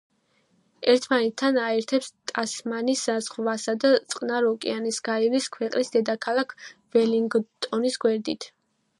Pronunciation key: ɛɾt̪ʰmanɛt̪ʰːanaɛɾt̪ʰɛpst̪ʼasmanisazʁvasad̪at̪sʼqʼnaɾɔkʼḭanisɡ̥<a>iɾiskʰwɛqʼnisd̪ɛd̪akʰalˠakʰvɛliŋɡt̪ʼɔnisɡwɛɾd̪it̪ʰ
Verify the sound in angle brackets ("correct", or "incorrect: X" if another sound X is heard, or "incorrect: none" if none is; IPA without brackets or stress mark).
correct